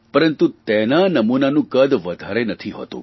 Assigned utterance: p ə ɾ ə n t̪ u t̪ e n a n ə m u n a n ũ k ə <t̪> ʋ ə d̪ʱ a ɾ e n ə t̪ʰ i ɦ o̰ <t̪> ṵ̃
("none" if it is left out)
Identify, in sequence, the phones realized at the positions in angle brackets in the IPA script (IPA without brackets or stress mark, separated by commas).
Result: d̪, t̪